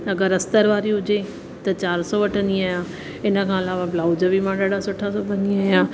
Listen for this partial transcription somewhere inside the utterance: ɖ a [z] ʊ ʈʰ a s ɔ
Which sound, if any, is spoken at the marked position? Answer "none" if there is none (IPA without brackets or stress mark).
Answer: s